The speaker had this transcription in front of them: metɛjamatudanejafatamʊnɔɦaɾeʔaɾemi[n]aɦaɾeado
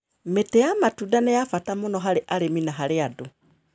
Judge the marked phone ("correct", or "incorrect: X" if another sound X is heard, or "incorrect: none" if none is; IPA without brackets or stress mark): correct